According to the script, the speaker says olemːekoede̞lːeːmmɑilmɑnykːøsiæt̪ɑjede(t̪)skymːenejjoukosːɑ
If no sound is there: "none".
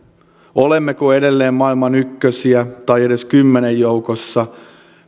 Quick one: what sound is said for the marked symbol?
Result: none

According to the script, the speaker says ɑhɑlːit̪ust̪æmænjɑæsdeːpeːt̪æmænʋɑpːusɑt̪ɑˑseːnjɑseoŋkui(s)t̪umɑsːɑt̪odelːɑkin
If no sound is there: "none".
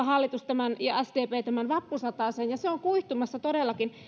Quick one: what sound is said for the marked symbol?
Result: h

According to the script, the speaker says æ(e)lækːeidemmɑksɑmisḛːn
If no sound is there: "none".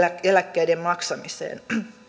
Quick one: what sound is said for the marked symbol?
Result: e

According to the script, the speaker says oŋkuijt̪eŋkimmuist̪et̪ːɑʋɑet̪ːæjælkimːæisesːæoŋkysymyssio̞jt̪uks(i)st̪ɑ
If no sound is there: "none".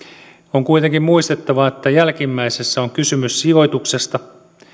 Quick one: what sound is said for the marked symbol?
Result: e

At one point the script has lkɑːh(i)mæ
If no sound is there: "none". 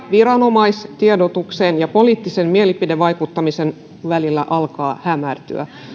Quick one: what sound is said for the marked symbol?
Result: æ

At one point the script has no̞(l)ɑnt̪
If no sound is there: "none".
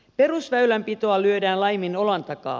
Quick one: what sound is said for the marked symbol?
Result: l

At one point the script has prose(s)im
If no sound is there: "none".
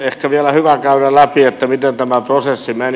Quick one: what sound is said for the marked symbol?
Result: sː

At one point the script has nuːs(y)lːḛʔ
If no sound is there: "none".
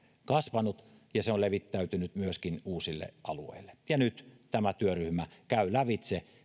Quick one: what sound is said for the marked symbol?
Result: i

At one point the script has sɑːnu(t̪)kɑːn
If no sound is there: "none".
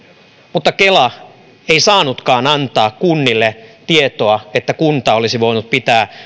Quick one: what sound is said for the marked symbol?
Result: t̪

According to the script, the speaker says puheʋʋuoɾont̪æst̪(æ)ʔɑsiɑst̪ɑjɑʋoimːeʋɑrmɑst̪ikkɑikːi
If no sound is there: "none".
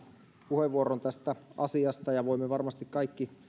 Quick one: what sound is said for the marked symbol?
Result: æ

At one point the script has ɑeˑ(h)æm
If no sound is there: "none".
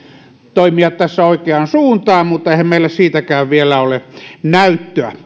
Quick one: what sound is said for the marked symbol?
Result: h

